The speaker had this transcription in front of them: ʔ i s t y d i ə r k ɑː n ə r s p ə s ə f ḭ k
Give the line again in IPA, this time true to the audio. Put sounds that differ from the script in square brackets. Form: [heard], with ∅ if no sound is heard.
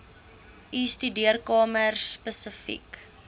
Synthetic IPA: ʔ i s t y d i ə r k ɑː [m] ə r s p ə s ə f ḭ k